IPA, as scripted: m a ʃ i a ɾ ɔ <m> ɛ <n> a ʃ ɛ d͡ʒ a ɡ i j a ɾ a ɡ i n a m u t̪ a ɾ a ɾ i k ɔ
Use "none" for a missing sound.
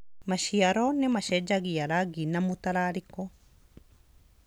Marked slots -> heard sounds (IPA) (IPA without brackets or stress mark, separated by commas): n, m